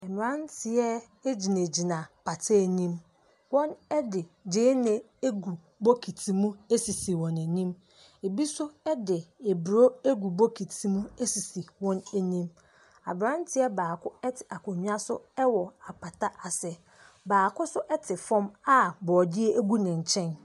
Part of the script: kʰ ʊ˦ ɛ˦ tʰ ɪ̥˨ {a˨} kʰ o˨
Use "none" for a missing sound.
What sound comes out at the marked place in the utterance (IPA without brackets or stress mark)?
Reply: a˨